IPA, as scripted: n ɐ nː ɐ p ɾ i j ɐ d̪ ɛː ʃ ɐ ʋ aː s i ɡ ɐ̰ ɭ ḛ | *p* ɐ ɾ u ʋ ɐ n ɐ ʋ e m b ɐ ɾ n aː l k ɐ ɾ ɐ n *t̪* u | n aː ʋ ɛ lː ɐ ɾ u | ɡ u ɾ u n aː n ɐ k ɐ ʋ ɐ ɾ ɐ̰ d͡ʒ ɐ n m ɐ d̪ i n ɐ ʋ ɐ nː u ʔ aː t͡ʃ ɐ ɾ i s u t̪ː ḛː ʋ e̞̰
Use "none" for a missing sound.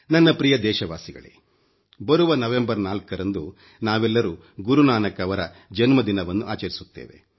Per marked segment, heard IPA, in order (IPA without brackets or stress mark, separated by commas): b, d̪